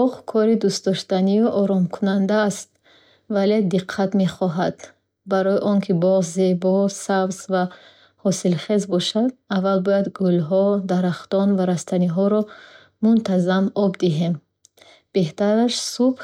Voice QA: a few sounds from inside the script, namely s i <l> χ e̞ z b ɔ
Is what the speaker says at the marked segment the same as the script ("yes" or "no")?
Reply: yes